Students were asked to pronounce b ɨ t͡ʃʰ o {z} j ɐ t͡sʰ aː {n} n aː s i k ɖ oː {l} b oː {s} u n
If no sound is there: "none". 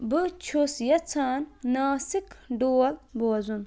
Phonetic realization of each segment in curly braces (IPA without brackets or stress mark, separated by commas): s, n, l, z